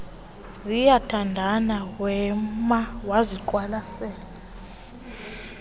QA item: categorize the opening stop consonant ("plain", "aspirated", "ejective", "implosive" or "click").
aspirated